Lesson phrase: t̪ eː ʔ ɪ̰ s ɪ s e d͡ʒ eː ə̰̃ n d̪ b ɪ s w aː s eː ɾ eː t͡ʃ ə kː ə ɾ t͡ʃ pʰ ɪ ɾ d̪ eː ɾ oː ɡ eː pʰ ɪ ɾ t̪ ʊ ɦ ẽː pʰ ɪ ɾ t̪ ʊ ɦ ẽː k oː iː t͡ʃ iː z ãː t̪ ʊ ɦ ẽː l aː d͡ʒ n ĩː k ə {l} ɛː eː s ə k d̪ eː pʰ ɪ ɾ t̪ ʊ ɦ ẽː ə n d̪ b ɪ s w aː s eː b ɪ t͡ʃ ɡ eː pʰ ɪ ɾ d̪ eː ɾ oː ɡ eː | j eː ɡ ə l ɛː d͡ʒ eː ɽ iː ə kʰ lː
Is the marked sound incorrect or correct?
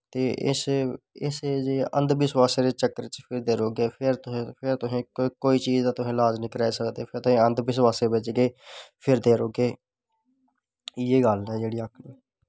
incorrect